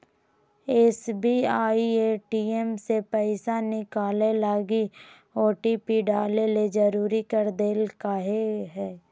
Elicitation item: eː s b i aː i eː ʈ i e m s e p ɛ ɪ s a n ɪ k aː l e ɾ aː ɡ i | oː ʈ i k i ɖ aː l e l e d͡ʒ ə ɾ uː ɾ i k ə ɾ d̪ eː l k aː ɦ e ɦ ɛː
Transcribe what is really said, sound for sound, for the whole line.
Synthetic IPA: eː s b i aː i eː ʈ i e m s e p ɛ ɪ s a n ɪ k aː l e l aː ɡ i | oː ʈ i p i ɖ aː l e l e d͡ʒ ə ɾ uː ɾ i k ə ɾ d̪ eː l k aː ɦ e ɦ ɛː